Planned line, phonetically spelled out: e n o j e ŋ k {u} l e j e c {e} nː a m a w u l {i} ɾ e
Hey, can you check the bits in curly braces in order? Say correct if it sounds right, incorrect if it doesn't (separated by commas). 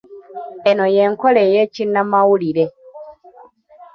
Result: incorrect, incorrect, correct